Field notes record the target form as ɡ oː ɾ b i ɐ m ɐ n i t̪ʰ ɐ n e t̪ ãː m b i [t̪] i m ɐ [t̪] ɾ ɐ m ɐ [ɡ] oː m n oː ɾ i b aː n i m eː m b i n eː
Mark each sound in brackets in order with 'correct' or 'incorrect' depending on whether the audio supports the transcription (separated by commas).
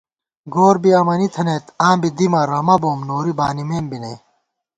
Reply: incorrect, incorrect, incorrect